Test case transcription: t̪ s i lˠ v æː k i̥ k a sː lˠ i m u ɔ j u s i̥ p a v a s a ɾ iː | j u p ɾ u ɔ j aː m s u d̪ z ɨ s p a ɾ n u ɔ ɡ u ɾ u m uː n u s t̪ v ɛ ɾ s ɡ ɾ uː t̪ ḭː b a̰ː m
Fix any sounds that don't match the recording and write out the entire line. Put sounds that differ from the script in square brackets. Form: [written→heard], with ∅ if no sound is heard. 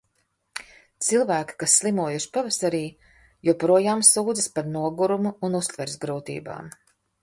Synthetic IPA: t̪ s i lˠ v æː k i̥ k a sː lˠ i m u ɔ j u [s→ʃ] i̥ p a v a s a ɾ iː | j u p ɾ u ɔ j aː m s [u→uː] d̪ z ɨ s p a ɾ n u ɔ ɡ u ɾ u m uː n u s t̪ v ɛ ɾ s ɡ ɾ uː t̪ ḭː b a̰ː m

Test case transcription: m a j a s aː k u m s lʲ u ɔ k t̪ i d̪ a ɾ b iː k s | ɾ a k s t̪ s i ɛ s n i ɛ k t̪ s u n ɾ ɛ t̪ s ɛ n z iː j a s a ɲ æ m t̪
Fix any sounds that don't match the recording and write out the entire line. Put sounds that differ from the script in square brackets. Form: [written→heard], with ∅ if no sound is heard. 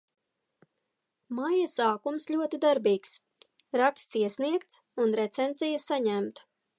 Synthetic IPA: m a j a s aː k u m s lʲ u ɔ [k→∅] t̪ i d̪ a ɾ b iː k s | ɾ a k s t̪ s i ɛ s n i ɛ k t̪ s u n ɾ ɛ t̪ s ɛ n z [iː→i] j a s a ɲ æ m t̪

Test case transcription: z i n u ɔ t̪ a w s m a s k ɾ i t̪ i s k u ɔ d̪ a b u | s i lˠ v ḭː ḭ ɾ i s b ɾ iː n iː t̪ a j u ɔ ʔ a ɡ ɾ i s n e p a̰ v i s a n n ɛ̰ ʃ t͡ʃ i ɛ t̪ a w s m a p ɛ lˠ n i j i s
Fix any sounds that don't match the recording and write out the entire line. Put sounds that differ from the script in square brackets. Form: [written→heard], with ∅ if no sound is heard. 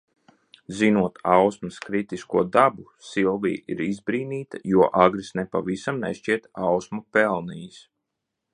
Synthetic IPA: z i n u ɔ t̪ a w s m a s k ɾ i t̪ i s k u ɔ d̪ a b u | s i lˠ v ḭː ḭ ɾ i [s→z] b ɾ iː n iː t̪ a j u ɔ ʔ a ɡ ɾ i s n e p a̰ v i s a [n→m] n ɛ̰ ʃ t͡ʃ i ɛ t̪ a w s m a p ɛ lˠ n i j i s

